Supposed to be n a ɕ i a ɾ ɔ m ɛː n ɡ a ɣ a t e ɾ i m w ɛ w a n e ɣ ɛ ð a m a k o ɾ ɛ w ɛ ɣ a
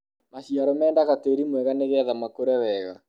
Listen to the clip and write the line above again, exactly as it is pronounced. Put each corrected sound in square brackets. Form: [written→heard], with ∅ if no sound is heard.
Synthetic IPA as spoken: [n→m] a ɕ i a ɾ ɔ m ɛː n [ɡ→d] a ɣ a t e ɾ i m w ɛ [w→ɣ] a n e ɣ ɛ ð a m a k o ɾ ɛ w ɛ ɣ a